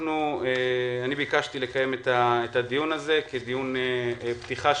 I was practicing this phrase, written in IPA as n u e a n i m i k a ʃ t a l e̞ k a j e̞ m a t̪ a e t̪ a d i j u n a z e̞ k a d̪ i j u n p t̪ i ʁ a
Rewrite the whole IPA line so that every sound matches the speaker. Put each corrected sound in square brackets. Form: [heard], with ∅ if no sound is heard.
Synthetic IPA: n u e a n i [b] i k a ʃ t [i] l e̞ k a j e̞ m [e] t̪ a e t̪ a d i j u n a z e̞ k [e] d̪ i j u n p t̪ i [χ] a